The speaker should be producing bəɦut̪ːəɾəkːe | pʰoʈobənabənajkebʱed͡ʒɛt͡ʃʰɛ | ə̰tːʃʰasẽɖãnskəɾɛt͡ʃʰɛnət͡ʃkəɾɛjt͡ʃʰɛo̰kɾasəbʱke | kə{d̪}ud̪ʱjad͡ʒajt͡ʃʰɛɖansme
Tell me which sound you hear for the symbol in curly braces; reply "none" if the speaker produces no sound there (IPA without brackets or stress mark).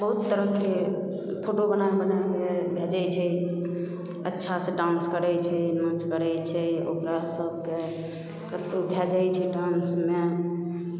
t̪